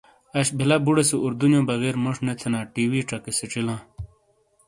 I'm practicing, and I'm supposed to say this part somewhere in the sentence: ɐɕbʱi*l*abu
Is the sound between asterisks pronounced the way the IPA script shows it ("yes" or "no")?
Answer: yes